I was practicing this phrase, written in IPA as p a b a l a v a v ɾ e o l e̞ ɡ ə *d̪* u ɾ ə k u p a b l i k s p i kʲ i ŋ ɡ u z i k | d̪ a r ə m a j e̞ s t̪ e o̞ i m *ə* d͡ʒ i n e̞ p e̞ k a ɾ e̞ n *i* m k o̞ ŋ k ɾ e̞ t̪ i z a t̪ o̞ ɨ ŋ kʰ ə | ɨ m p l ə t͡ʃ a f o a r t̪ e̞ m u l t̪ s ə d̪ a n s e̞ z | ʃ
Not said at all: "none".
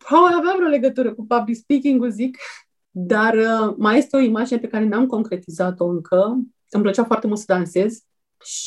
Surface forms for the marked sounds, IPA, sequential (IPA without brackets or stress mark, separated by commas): t̪, a, a